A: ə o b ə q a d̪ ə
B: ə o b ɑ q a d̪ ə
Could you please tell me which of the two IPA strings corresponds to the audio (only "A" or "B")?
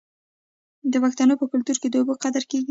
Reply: A